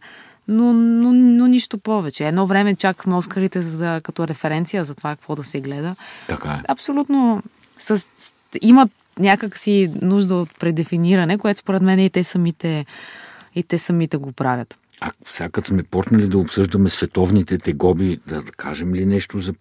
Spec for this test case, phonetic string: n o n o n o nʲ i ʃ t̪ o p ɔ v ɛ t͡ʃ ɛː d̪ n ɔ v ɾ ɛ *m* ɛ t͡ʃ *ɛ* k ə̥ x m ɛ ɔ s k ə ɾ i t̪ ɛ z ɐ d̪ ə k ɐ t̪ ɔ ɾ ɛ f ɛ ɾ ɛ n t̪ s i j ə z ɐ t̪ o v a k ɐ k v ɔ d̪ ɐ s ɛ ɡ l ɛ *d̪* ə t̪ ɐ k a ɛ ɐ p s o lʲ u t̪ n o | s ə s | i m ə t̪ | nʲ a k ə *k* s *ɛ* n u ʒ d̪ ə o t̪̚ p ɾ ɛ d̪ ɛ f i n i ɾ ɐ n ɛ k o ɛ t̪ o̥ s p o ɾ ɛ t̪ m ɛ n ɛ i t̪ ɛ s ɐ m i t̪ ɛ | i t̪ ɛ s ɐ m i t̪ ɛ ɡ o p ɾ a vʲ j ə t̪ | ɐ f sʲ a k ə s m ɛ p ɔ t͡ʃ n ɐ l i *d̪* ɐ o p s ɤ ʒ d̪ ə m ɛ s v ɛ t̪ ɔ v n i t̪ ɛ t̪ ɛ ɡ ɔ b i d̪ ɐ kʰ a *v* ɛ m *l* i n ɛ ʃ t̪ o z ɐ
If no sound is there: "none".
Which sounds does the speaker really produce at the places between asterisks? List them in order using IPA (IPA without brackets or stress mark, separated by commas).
m, a, d̪, k, i, d̪, ʒ, l